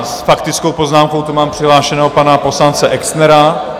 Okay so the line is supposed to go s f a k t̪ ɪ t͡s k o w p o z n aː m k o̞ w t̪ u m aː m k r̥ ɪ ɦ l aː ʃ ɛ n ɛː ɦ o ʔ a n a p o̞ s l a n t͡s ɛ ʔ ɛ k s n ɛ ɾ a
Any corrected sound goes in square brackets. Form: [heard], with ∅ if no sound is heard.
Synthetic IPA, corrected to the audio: s f a k t̪ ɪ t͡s k o w p o z n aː m k o̞ w t̪ u m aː m [p] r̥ ɪ ɦ l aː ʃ ɛ n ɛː ɦ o [p] a n a p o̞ s l a n t͡s ɛ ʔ ɛ k s n ɛ ɾ a